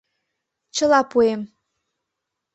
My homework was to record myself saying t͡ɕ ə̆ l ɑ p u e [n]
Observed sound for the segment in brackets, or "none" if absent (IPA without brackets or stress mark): m